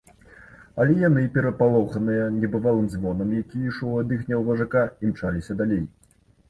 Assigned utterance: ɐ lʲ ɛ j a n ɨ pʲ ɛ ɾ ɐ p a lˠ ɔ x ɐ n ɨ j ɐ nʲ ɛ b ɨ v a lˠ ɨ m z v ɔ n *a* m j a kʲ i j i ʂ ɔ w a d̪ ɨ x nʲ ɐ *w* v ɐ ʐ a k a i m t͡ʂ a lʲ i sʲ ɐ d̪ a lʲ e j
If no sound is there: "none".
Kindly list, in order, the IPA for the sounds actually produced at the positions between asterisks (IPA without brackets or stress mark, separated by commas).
ɐ, w